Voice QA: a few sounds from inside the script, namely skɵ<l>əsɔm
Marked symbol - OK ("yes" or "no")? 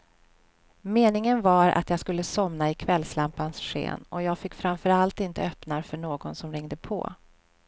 no